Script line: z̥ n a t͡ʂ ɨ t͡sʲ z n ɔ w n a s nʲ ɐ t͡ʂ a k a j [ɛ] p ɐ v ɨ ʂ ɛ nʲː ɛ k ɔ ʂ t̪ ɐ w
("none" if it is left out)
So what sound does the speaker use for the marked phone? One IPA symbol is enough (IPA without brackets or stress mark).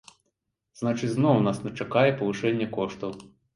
ɛ